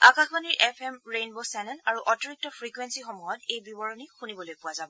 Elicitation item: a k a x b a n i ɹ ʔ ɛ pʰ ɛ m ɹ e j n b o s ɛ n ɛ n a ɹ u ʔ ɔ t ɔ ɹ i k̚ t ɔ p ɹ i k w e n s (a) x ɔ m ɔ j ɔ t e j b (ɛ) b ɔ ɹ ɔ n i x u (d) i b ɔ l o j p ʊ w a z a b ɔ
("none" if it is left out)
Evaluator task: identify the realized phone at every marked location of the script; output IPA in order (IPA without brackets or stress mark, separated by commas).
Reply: i, i, n